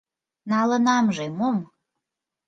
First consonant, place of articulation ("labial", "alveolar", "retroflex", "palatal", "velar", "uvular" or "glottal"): alveolar